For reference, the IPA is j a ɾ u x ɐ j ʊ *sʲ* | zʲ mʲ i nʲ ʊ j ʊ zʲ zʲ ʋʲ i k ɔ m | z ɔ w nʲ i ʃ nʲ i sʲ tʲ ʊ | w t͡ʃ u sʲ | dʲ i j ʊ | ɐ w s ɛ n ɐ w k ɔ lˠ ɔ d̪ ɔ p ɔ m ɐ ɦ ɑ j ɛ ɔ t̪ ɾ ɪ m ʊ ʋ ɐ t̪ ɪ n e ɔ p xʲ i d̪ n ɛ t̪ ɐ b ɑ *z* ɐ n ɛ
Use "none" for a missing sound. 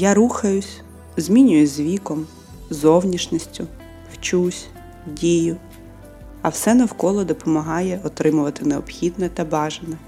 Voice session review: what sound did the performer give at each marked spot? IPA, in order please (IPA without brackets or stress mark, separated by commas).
sʲ, ʒ